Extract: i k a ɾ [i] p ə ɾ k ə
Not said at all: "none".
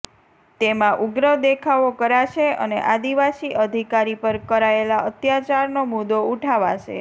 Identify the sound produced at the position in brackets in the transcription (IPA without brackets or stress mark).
i